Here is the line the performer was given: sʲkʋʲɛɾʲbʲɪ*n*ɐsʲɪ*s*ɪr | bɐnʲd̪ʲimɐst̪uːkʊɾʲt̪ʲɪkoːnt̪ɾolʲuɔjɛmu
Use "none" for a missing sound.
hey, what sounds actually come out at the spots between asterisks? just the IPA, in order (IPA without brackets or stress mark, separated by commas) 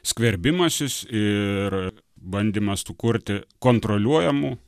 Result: m, s